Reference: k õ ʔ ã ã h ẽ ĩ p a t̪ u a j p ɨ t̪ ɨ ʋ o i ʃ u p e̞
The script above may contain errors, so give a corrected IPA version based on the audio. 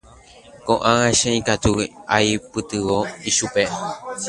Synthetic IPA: k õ ʔ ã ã ʃ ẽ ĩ k a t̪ u a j p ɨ t̪ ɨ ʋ o i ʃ u p e̞